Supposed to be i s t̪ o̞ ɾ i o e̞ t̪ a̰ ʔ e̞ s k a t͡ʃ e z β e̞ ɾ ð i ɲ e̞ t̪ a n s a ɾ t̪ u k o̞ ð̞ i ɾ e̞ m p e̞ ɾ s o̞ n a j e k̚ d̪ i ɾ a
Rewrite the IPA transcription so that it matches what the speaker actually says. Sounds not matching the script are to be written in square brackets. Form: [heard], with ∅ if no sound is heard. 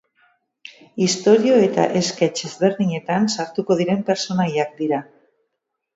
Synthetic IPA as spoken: i s t̪ o̞ ɾ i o e̞ t̪ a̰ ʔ e̞ s k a t͡ʃ e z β e̞ ɾ ð i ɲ e̞ t̪ a n s a ɾ t̪ u k o̞ ð̞ i ɾ e̞ m p e̞ ɾ s o̞ n a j [a] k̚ d̪ i ɾ a